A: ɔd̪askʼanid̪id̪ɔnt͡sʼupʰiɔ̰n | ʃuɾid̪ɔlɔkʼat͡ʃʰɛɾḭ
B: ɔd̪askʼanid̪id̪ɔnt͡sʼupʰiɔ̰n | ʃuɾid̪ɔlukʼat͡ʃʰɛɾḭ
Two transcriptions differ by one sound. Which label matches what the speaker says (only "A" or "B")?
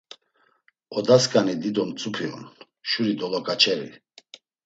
A